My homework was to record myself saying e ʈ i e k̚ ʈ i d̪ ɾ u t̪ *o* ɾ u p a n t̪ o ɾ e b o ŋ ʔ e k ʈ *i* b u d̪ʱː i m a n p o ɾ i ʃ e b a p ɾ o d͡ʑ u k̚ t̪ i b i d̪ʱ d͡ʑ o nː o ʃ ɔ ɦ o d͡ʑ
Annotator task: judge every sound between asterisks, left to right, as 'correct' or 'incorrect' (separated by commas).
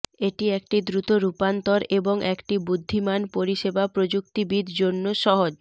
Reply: correct, correct